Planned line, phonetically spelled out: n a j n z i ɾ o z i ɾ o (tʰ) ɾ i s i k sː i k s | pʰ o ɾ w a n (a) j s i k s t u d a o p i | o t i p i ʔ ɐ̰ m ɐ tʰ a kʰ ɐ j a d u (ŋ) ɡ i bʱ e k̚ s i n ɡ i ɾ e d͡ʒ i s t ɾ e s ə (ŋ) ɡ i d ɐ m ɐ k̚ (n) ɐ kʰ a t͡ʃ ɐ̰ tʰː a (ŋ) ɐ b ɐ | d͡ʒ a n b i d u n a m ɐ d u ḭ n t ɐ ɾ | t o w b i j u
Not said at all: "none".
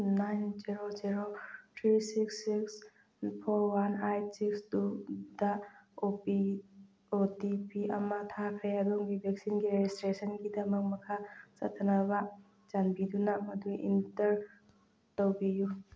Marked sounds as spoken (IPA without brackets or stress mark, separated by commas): tʰ, a, ŋ, n, m, n